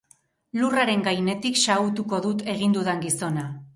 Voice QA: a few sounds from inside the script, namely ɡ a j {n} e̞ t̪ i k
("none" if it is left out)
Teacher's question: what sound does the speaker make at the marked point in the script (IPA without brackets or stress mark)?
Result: n